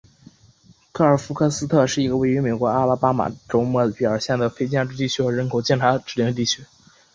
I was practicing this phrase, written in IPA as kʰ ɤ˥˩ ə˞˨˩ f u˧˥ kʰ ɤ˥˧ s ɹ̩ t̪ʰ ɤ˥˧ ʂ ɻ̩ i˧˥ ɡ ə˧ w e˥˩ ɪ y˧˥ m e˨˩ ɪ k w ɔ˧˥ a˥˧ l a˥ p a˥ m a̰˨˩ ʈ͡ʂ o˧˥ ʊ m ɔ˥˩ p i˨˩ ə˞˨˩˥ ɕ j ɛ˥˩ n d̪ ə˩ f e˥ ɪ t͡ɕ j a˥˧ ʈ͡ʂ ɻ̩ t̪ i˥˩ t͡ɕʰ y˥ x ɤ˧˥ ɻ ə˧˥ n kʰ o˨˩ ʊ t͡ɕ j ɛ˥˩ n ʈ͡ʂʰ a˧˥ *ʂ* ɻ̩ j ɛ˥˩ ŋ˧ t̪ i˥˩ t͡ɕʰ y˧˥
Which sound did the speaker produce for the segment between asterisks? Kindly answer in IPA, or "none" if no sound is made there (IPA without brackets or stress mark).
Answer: ʈ͡ʂ